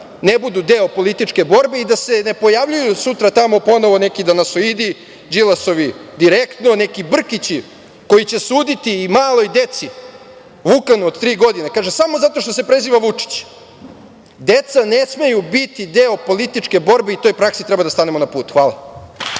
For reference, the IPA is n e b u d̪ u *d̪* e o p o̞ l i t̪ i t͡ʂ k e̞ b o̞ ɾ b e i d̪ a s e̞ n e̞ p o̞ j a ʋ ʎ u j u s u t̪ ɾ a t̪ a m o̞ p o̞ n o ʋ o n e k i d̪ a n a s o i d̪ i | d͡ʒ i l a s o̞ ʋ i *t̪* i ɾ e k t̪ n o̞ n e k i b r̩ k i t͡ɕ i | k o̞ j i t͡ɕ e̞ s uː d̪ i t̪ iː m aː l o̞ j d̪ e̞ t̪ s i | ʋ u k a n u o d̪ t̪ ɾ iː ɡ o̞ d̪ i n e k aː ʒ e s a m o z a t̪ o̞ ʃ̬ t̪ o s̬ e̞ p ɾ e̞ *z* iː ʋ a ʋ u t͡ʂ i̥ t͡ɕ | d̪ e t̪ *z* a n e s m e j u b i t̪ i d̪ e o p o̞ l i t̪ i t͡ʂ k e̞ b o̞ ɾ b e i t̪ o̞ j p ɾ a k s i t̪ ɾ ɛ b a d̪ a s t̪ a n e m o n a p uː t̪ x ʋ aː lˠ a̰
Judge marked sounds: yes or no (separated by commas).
yes, no, yes, no